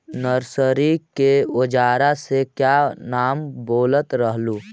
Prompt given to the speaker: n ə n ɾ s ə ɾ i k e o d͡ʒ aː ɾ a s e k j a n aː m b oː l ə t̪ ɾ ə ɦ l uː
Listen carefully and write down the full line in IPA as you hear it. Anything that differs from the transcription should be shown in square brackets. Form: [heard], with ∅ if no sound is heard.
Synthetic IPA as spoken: n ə [∅] ɾ s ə ɾ i k e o d͡ʒ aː ɾ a s e k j a n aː m b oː l ə t̪ ɾ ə ɦ l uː